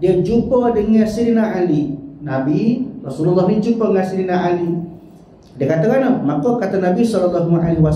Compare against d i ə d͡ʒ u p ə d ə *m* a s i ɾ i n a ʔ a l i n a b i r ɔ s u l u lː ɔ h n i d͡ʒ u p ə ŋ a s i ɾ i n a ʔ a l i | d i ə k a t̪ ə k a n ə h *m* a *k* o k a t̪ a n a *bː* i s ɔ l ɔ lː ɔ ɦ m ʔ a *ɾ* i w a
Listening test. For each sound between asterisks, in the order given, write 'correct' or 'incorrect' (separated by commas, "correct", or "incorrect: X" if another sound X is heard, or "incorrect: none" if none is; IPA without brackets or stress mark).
incorrect: ŋ, correct, correct, incorrect: b, incorrect: l